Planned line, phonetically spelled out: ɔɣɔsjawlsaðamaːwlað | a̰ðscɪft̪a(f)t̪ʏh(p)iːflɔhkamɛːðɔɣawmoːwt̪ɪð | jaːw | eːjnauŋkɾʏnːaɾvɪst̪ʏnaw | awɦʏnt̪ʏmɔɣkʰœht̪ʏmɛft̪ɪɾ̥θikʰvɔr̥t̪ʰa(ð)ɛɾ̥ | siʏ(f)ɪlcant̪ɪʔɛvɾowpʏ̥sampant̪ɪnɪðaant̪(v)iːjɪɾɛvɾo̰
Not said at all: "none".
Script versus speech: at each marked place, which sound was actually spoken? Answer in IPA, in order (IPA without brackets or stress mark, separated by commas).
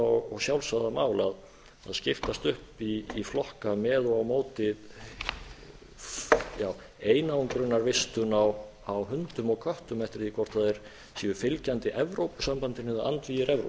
s, p, ð, f, v